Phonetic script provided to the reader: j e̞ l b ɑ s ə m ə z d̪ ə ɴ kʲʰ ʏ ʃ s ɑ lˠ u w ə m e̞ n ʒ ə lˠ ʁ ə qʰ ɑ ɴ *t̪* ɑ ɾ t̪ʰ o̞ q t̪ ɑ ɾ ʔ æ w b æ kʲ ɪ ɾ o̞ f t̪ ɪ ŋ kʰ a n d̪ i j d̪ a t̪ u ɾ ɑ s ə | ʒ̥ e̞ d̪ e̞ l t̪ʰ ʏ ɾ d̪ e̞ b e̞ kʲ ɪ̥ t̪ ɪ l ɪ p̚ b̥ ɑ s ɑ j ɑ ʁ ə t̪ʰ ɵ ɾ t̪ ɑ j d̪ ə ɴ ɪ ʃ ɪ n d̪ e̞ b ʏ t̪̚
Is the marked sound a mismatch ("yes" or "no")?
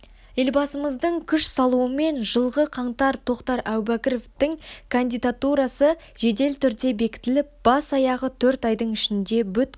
no